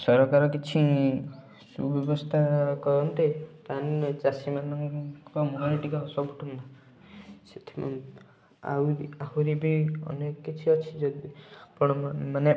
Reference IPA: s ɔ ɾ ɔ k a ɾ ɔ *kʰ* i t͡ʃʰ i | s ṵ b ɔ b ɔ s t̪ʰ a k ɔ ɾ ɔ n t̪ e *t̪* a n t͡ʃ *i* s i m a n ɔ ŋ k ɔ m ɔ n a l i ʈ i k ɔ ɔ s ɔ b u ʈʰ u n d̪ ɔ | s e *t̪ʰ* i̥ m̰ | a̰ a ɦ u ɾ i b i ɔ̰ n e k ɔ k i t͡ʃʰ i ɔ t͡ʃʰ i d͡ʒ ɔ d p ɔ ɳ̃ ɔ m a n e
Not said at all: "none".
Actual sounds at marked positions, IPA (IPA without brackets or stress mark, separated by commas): k, t̪, a, t̪ʰ